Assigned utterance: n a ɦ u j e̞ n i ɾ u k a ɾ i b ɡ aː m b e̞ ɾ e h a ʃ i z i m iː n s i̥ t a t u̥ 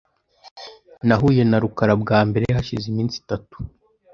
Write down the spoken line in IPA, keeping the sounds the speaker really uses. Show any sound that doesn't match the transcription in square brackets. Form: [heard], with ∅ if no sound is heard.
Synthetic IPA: n a ɦ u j e̞ n [a] ɾ u k a ɾ [a] b ɡ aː m b e̞ ɾ e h a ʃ i z i m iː n s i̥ t a t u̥

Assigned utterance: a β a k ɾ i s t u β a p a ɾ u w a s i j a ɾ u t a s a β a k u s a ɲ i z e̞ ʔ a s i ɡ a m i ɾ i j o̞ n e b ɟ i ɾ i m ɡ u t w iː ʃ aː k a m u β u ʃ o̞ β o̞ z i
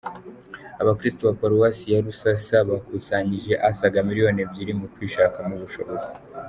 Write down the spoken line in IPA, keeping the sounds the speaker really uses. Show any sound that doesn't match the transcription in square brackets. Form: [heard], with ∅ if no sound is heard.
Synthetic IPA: a β a k ɾ i s t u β a p a ɾ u w a s i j a ɾ u [s] a s a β a k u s a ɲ i [ʒ] e̞ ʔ a s [a] ɡ a m i ɾ i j o̞ n e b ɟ i ɾ i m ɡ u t w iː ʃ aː k a m u β u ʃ o̞ β o̞ z i

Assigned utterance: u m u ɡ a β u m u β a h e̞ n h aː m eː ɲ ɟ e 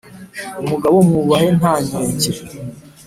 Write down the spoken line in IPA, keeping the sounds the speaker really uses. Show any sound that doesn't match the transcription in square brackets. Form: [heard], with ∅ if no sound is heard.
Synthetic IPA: u m u ɡ a β [o] m u β a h e̞ n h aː [ɲ] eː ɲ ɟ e

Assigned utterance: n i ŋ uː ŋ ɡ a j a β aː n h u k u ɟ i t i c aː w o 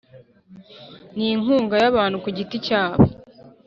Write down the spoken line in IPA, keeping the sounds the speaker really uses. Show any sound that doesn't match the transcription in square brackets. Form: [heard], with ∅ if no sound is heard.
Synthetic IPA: n i ŋ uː ŋ ɡ a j a β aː n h u k u ɟ i t i c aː [β] o

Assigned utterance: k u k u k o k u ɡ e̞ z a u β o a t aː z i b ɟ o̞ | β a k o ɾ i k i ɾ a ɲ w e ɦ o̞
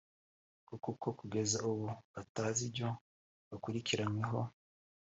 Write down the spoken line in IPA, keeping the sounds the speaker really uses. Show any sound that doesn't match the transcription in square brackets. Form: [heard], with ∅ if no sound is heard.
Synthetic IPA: k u k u k o k u ɡ e̞ z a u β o a t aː z i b ɟ o̞ | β a k [u] ɾ i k i ɾ a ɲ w e ɦ o̞

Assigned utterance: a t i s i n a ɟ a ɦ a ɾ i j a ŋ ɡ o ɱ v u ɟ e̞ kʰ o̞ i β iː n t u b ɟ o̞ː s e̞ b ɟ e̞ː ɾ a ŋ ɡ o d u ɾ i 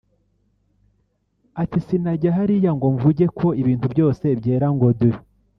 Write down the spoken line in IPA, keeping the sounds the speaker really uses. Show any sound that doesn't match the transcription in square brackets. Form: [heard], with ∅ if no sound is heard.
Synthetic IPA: a t i s i n a ɟ a ɦ a ɾ i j a ŋ ɡ o ɱ v u ɟ e̞ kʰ o̞ i β iː n t u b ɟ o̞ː s e̞ b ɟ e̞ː ɾ a ŋ ɡ o d u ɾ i

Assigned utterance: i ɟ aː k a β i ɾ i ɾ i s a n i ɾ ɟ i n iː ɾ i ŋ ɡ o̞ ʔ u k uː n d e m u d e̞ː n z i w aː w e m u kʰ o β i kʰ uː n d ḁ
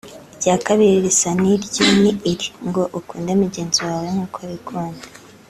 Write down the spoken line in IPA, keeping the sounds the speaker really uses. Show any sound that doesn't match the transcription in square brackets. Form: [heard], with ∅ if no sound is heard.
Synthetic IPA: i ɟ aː k a β i ɾ i ɾ i s a n i ɾ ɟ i n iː ɾ i ŋ ɡ o̞ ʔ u k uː n d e m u [ɟ] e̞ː n z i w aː w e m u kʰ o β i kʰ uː n d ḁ

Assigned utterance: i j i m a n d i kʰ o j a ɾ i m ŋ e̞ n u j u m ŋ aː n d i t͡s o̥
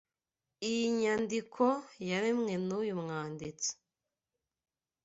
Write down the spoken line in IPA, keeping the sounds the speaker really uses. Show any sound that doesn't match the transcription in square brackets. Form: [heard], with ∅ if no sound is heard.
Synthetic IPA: i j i [ɲ] a n d i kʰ o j a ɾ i m ŋ e̞ n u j u m ŋ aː n d i t͡s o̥

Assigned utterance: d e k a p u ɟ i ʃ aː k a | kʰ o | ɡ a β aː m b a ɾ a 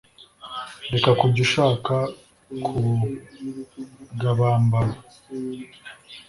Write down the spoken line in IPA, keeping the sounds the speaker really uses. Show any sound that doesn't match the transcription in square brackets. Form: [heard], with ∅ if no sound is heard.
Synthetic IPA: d e k a [k] u ɟ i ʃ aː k a | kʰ [u] | ɡ a β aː m b a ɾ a

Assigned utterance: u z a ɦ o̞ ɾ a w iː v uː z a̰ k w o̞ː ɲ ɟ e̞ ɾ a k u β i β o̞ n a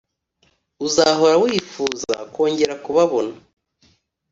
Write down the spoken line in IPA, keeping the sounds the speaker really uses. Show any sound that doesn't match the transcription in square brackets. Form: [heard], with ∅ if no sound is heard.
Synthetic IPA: u z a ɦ o̞ ɾ a w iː [f] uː z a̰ k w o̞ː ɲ ɟ e̞ ɾ a k u β [a] β o̞ n a

